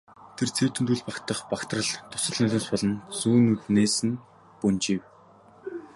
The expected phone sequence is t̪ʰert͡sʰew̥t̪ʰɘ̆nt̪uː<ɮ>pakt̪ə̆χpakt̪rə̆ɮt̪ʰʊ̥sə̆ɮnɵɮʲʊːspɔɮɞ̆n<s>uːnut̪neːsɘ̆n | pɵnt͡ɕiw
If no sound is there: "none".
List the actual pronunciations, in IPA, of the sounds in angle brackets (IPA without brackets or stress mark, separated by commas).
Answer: ɮ, s